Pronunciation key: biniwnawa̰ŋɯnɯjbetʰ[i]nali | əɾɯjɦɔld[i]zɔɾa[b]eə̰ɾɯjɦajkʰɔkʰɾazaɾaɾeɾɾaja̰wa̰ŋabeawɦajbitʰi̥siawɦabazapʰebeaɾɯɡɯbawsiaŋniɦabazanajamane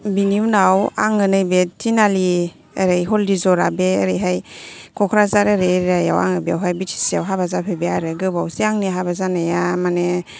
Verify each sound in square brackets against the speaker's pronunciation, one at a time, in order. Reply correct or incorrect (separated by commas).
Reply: correct, correct, correct